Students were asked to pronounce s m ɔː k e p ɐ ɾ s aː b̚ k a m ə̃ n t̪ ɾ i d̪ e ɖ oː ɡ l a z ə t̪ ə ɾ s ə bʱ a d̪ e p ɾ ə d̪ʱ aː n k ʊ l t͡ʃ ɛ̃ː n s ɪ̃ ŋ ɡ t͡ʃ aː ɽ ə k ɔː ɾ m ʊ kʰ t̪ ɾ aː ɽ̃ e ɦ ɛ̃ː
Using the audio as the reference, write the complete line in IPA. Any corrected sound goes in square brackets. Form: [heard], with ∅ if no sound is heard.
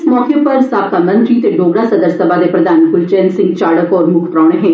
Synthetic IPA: s m ɔː k e p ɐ ɾ s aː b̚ k a m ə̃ n t̪ ɾ i [t̪] e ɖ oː ɡ [ɽ] a [s] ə [d̪] ə ɾ s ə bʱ a d̪ e p ɾ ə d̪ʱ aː n k ʊ l t͡ʃ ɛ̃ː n s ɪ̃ ŋ ɡ t͡ʃ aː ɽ ə k ɔː ɾ m ʊ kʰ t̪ ɾ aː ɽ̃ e ɦ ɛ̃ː

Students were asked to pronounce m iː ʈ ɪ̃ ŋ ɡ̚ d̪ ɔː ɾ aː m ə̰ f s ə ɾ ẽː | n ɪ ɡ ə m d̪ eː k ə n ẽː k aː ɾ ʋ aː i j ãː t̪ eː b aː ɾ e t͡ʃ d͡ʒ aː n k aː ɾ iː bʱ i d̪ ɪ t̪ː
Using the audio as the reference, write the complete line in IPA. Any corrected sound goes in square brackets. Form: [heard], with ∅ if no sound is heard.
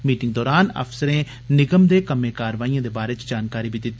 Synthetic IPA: m iː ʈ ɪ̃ ŋ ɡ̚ d̪ ɔː ɾ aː [n] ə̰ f s ə ɾ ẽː | n ɪ ɡ ə m d̪ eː k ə [m] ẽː k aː ɾ ʋ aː i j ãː [d̪] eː b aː ɾ e t͡ʃ d͡ʒ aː n k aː ɾ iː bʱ i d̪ ɪ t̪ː

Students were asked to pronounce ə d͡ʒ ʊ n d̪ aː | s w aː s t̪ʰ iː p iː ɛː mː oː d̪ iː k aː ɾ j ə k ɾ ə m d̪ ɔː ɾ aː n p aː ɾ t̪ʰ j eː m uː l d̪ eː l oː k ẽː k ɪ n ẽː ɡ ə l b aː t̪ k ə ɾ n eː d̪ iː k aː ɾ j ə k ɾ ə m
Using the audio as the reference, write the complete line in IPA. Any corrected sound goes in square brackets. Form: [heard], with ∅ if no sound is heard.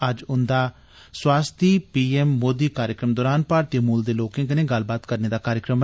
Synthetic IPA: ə d͡ʒ ʊ n d̪ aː | s w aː s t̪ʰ iː p iː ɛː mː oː d̪ iː k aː ɾ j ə k ɾ ə m d̪ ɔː ɾ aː n p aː ɾ [t̪] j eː m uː l d̪ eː l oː k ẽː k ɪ n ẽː ɡ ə l b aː t̪ k ə ɾ n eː d̪ [aː] k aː ɾ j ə k ɾ ə m

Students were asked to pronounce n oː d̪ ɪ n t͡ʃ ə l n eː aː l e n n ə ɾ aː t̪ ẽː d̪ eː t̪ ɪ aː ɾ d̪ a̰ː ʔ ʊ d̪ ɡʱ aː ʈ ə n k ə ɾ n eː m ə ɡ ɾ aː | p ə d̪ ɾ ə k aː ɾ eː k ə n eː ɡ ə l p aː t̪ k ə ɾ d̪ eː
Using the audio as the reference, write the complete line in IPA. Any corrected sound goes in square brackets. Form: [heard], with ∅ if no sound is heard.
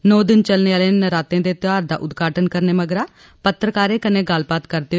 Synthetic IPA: n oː d̪ ɪ n t͡ʃ ə l n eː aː l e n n ə ɾ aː t̪ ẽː d̪ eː t̪ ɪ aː ɾ d̪ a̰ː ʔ ʊ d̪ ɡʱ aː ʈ ə n k ə ɾ n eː m ə ɡ ɾ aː | p ə [t̪] ɾ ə k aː ɾ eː k ə n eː ɡ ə l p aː t̪ k ə ɾ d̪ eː

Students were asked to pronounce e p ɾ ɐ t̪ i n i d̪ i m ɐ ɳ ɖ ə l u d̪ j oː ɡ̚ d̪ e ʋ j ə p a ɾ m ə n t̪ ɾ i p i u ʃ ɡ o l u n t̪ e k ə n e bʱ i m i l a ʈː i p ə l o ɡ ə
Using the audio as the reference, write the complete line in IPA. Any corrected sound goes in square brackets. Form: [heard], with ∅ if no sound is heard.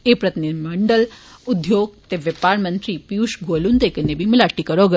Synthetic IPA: e p ɾ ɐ t̪ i n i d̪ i m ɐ ɳ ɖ ə l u d̪ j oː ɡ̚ [t̪] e ʋ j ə p a ɾ m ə n t̪ ɾ i p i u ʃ ɡ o l u n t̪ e k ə n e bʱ i m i l a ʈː i [k] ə [ɾ] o ɡ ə

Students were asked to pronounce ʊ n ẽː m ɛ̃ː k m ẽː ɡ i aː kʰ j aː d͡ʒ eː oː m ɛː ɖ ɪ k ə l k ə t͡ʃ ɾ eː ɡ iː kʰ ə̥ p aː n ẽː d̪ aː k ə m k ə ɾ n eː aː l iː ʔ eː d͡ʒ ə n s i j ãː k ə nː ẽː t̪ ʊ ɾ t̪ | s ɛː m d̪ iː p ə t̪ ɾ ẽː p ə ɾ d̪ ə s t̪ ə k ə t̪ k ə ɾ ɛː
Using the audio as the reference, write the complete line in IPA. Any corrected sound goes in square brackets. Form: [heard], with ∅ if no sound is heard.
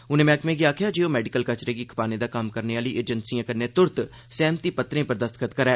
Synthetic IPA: ʊ n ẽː m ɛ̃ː k m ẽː ɡ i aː kʰ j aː d͡ʒ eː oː m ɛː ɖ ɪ k ə l k ə t͡ʃ ɾ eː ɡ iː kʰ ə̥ p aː n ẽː d̪ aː k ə m k ə ɾ n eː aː l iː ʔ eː d͡ʒ ə n s i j ãː k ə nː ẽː t̪ ʊ ɾ t̪ | s ɛː m [t̪] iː p ə t̪ ɾ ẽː p ə ɾ d̪ ə s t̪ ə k ə t̪ k ə ɾ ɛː

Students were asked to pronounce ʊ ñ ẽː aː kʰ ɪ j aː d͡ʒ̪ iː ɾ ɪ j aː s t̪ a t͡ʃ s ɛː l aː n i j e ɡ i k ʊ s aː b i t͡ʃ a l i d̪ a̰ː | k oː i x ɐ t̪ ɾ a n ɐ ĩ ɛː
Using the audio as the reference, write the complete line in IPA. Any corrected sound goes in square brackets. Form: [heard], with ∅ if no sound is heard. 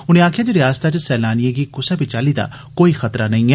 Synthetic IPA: ʊ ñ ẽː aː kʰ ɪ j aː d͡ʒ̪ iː ɾ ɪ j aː s t̪ a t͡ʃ s ɛː l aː n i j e ɡ i k ʊ s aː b i t͡ʃ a l i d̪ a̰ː | k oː i x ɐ t̪ ɾ a n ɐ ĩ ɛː

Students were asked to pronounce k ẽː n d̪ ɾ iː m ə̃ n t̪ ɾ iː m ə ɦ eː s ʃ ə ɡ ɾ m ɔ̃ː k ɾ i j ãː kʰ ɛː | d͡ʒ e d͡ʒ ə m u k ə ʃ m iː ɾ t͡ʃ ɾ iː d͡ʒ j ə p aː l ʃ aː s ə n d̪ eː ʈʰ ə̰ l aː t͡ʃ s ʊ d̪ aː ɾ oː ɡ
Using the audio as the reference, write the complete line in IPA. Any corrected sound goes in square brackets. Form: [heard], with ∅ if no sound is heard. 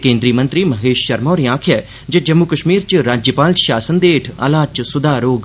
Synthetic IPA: k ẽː n d̪ ɾ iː m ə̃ n t̪ ɾ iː m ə ɦ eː [ʃ] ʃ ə [∅] ɾ m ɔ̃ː [∅] ɾ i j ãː kʰ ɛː | d͡ʒ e d͡ʒ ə m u k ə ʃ m iː ɾ t͡ʃ ɾ [aː] d͡ʒ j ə p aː l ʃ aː s ə n d̪ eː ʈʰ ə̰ l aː t͡ʃ s ʊ d̪ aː ɾ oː ɡ

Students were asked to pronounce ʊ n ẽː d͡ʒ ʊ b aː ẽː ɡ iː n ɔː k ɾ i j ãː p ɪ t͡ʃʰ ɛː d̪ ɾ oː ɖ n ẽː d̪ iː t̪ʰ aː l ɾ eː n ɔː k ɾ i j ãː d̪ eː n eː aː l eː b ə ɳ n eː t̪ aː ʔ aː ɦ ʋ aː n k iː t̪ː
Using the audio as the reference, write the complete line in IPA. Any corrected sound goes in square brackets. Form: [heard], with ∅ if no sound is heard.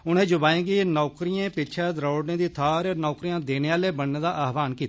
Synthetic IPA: ʊ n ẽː d͡ʒ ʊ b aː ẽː ɡ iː n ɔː k ɾ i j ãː p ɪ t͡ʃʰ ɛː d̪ ɾ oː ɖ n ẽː d̪ iː t̪ʰ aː [∅] ɾ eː n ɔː k ɾ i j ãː d̪ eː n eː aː l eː b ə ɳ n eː [d̪] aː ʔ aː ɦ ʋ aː n k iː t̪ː

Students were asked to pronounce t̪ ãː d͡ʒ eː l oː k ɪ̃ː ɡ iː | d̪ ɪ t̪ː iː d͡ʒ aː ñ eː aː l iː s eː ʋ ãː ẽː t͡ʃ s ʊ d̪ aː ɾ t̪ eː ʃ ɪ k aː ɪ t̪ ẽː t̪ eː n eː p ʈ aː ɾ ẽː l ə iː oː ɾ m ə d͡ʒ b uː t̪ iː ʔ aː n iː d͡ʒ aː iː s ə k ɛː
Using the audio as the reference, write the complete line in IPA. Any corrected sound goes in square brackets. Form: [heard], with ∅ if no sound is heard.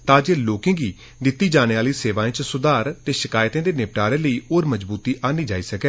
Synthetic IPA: t̪ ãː d͡ʒ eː l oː k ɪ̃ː ɡ iː | d̪ ɪ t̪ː iː d͡ʒ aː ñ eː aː l iː s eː ʋ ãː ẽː t͡ʃ s ʊ d̪ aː ɾ t̪ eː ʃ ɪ k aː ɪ t̪ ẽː [d̪] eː n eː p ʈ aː ɾ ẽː l ə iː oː ɾ m ə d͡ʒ b uː t̪ iː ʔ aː n iː d͡ʒ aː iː s ə k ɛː

